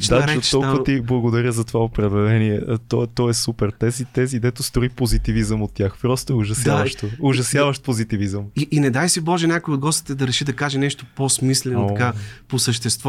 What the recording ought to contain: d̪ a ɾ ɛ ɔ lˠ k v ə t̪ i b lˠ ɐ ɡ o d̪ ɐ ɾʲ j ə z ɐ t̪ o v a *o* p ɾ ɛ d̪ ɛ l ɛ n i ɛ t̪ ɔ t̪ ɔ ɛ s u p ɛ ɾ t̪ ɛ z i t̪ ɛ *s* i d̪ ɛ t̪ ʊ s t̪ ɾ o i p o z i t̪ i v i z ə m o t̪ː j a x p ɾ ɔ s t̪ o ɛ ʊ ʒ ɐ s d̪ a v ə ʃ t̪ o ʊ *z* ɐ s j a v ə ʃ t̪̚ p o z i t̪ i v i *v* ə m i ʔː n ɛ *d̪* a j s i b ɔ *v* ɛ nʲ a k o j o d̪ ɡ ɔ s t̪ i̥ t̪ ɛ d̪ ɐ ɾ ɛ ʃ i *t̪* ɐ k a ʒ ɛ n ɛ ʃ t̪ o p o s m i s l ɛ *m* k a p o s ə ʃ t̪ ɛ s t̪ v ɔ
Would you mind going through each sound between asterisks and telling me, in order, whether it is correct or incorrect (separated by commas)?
correct, incorrect, incorrect, incorrect, correct, incorrect, incorrect, incorrect